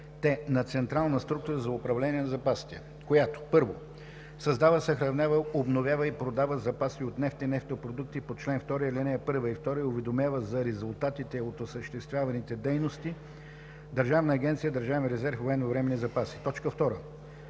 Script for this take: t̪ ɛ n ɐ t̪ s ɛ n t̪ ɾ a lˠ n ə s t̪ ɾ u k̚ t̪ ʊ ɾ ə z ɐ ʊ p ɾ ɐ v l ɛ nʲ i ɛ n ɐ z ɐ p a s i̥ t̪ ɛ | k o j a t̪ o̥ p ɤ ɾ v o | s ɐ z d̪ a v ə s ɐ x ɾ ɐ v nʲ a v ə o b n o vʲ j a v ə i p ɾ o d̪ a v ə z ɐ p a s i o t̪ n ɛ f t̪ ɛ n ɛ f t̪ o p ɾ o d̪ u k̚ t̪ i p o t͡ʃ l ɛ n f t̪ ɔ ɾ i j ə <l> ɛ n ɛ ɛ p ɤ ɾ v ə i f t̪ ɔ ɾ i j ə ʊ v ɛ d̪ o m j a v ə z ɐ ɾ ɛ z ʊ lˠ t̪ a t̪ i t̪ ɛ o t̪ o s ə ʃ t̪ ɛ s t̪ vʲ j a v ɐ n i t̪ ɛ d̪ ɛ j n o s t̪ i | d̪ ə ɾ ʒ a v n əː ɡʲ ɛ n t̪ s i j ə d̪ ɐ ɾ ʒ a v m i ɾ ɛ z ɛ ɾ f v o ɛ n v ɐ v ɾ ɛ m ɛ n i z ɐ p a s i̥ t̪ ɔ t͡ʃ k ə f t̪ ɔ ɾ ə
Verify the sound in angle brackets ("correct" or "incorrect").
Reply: correct